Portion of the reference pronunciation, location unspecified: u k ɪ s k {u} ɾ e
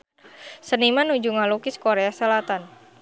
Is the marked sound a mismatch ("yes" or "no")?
yes